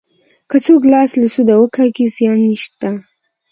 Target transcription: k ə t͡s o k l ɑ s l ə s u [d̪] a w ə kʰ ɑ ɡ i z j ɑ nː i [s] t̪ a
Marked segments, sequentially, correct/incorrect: correct, incorrect: ʃ

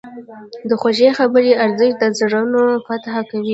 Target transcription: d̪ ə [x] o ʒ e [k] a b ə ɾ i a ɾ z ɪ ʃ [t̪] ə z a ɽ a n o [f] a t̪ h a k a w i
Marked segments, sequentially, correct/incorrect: correct, incorrect: x, incorrect: d̪, correct

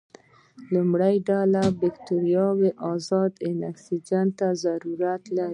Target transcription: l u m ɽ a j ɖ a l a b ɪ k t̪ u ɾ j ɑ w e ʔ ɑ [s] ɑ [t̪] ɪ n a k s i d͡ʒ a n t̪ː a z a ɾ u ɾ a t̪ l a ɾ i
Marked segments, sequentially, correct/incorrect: incorrect: z, incorrect: d̪

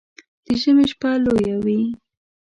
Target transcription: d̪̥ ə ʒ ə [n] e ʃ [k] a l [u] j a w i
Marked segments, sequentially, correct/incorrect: incorrect: m, incorrect: p, incorrect: o

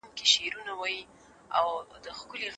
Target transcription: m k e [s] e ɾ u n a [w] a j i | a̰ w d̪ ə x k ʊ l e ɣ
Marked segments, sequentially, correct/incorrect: incorrect: ʃ, correct

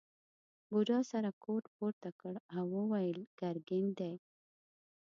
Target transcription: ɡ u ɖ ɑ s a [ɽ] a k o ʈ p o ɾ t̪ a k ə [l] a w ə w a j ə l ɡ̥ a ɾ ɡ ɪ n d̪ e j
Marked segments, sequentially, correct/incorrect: incorrect: ɾ, incorrect: ɽ

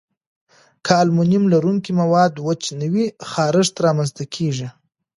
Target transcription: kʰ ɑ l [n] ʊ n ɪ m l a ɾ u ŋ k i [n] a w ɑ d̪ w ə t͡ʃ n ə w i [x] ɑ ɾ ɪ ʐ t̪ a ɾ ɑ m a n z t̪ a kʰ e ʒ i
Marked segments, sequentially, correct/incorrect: incorrect: m, incorrect: m, correct

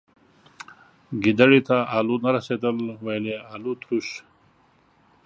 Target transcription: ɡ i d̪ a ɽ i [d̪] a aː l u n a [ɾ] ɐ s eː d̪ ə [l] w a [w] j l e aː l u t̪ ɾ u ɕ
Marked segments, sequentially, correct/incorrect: incorrect: t̪, correct, correct, incorrect: none

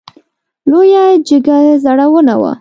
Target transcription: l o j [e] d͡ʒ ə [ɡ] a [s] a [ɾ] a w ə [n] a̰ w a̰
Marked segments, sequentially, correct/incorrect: incorrect: a, correct, incorrect: z, incorrect: ɽ, correct

